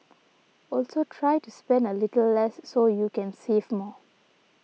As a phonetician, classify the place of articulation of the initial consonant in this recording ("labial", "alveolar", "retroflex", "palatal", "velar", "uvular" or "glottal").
alveolar